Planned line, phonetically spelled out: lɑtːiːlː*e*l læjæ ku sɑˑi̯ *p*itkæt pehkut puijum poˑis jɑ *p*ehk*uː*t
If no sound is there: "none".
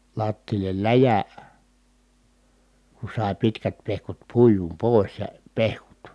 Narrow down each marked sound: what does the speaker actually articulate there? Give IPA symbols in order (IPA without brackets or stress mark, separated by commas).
e, p, p, u